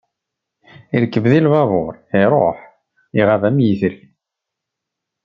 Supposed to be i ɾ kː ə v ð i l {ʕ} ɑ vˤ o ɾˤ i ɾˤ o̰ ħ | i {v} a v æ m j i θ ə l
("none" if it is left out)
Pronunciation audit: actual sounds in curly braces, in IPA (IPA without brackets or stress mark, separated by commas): v, ʁ